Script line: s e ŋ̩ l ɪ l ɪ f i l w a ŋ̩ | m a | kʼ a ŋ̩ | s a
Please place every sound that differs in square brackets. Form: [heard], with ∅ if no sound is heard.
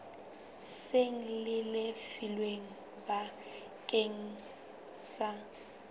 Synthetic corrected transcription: s e ŋ̩ l ɪ l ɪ f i l w [e] ŋ̩ | [b] a | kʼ [e] ŋ̩ | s a